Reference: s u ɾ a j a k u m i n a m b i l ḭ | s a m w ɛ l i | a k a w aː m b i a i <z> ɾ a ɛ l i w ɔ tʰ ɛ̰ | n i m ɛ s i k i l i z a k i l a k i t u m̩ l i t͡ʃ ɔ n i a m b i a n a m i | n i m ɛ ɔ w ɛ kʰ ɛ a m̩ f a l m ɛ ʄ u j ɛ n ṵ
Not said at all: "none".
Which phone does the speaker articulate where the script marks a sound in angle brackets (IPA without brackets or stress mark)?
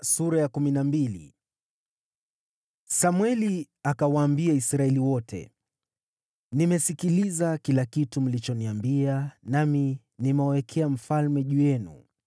s